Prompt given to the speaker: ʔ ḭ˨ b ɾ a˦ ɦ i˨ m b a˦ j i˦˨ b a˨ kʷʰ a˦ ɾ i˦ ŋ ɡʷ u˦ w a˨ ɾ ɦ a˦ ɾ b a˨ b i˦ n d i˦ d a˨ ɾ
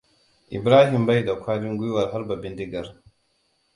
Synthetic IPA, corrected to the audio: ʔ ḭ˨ b ɾ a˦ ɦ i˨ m b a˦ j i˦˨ d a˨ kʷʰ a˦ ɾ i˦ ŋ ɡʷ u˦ w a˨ ɾ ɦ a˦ ɾ b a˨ b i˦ n d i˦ ɡ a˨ ɾ